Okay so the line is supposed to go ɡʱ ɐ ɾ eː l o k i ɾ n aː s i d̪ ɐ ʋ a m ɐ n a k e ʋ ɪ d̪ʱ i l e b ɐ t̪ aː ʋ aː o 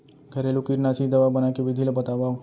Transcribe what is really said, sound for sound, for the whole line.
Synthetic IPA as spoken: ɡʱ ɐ ɾ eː l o k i ɾ n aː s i d̪ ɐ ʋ a b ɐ n a k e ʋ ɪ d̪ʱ i l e b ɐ t̪ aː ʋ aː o